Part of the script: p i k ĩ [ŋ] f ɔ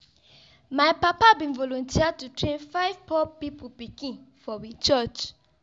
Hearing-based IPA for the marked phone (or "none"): n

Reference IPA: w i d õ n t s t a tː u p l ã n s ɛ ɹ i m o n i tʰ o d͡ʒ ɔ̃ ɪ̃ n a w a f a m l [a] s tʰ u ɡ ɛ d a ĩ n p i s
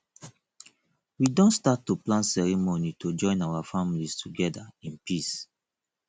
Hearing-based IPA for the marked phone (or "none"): i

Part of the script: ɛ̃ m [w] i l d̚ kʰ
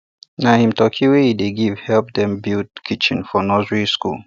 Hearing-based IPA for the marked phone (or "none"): b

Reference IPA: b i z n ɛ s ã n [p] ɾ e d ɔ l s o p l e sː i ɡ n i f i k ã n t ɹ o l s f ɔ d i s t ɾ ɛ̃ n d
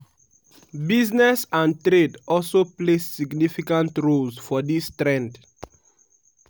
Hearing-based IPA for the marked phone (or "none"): t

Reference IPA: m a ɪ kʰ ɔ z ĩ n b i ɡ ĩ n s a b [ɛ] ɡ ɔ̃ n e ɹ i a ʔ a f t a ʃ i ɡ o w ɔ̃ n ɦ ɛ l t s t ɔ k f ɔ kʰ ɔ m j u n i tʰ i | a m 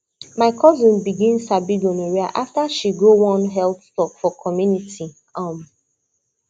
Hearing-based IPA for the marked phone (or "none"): i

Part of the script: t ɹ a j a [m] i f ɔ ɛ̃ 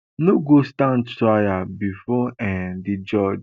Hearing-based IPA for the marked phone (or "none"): b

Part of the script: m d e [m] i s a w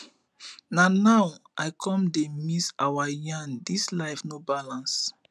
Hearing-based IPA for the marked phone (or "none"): m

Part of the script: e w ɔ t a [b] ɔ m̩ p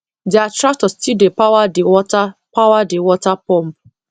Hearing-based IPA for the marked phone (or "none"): p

